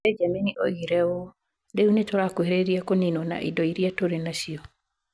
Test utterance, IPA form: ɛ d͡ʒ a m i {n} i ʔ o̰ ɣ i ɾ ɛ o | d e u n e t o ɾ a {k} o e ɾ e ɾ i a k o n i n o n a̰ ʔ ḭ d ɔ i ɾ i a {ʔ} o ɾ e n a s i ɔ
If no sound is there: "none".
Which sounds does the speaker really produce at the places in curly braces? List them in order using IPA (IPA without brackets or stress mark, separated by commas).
n, k, t